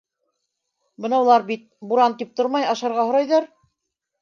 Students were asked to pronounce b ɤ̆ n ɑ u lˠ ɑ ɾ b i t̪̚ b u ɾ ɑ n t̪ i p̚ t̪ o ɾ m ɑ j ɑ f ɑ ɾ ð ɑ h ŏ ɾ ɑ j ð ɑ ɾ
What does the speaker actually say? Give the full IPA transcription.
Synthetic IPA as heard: b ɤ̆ n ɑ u lˠ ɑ ɾ b i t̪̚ b u ɾ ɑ n t̪ i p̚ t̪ o ɾ m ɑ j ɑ ʃ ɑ ɾ ʁ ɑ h ŏ ɾ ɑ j ð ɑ ɾ